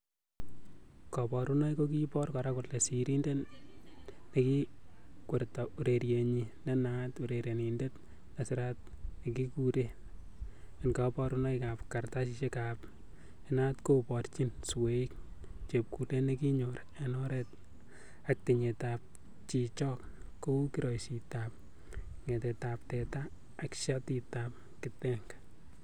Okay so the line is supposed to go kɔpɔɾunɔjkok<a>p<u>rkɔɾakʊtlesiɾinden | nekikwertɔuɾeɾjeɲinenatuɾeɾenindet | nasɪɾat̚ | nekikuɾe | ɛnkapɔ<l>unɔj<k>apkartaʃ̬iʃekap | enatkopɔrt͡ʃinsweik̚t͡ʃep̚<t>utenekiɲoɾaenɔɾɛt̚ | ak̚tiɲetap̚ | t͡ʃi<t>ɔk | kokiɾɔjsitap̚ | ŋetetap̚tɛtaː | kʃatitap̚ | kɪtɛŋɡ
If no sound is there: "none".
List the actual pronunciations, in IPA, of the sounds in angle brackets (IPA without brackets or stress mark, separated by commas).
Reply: i, ɔ, ɾ, k, k, t͡ʃ